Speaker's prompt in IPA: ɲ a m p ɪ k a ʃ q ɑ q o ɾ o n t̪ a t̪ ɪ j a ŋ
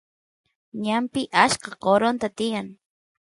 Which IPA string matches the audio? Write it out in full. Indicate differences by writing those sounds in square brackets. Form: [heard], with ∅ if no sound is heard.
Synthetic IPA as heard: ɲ a m p ɪ [ʔ] a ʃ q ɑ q o ɾ o n t̪ a t̪ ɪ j a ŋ